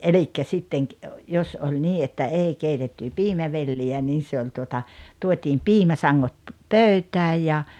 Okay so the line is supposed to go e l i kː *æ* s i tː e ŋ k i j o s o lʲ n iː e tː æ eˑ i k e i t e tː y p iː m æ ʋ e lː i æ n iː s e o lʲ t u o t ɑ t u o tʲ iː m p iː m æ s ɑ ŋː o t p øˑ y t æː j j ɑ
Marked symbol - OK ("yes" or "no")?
yes